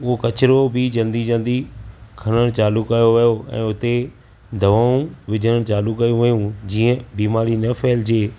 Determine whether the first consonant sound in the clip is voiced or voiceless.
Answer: voiced